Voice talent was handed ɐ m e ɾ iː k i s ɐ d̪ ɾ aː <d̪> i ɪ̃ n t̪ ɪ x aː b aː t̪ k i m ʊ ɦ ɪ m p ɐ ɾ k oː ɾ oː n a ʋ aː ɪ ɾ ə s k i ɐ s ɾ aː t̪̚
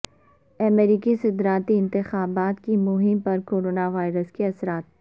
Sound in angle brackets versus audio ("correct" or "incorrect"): incorrect